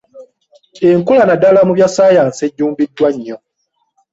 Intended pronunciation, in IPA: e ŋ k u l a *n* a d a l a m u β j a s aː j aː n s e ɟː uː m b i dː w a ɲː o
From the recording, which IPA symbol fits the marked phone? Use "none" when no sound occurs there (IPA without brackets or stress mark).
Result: n